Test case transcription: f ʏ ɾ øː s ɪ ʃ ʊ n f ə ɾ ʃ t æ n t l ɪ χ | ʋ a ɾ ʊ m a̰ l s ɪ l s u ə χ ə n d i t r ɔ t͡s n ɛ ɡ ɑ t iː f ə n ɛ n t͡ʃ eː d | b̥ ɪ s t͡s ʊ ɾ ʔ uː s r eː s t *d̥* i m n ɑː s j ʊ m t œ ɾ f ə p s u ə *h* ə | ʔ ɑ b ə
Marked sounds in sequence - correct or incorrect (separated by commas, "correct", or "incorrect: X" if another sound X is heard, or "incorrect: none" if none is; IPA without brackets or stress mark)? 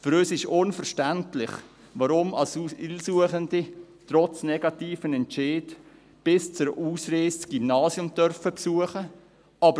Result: incorrect: ɡ̥, incorrect: χ